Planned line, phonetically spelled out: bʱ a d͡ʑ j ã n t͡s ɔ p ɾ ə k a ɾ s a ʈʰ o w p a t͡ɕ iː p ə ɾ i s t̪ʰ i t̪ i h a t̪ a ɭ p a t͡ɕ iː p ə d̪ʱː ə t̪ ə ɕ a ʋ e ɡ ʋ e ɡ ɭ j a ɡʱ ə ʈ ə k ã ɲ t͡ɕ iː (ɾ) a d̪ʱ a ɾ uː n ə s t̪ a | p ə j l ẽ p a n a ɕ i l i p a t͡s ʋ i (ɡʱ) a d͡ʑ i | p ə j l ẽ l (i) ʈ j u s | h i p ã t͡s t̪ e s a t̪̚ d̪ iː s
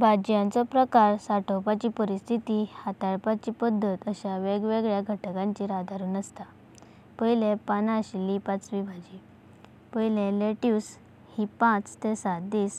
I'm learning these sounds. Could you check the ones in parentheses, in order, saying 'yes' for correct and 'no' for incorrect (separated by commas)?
yes, no, no